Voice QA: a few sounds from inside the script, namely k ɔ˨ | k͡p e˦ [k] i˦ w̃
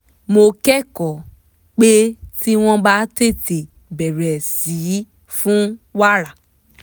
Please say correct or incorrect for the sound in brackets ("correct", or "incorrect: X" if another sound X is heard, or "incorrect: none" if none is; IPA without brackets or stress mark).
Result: incorrect: t